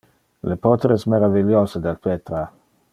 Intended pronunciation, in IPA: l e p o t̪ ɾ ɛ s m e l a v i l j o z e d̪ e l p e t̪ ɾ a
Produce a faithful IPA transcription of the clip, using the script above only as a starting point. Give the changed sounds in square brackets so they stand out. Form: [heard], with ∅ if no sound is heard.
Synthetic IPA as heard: l e p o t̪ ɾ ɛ s m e [ɾ] a v i l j o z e d̪ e l p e t̪ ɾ a

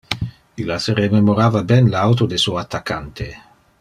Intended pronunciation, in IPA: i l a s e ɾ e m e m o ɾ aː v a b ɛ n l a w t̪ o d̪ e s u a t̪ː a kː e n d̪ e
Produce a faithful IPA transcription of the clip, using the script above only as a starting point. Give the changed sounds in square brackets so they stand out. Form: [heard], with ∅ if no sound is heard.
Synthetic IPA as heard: i l a s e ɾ e m e m o ɾ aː v a b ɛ n l a w t̪ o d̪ e s u a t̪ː a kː [a] n [t̪] e

